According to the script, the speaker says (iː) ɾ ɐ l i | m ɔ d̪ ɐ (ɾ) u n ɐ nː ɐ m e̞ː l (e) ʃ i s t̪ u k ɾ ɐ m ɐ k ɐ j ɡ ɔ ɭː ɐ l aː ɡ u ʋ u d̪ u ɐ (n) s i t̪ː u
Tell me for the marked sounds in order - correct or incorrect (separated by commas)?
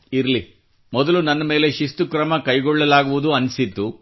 incorrect, incorrect, correct, correct